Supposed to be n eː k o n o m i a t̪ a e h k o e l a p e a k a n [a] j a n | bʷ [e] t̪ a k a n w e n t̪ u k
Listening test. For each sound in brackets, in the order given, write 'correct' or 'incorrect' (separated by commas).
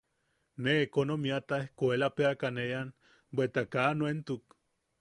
incorrect, correct